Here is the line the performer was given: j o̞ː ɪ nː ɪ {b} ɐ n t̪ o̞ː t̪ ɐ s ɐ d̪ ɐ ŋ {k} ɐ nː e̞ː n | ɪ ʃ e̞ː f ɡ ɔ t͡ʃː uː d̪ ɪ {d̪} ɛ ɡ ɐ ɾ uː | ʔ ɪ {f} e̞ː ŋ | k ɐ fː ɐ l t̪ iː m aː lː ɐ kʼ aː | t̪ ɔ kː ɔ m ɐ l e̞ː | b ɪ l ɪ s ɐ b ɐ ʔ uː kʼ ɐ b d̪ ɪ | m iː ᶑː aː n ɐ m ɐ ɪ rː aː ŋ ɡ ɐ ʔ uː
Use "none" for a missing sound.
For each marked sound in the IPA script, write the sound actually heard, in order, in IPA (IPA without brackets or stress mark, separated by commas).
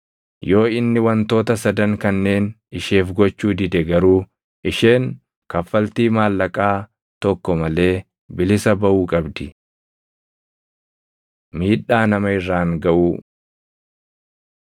w, k, d̪, ʃ